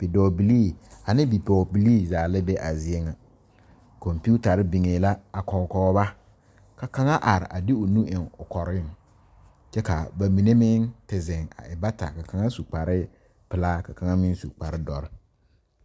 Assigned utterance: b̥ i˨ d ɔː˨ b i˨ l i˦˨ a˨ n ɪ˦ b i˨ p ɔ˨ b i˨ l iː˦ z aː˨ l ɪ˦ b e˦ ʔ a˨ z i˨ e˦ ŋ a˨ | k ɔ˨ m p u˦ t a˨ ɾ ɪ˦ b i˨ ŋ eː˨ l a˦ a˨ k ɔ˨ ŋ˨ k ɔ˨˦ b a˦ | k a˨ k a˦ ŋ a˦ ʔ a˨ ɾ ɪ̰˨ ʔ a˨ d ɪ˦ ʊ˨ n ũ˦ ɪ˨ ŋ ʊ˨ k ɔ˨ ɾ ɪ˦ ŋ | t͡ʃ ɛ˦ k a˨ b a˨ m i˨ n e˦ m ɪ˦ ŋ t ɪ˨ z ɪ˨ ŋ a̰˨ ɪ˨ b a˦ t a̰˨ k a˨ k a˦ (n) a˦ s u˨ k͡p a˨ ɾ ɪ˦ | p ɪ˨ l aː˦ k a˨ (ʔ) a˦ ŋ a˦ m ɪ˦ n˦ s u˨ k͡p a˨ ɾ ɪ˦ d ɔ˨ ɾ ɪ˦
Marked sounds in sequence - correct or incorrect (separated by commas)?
incorrect, incorrect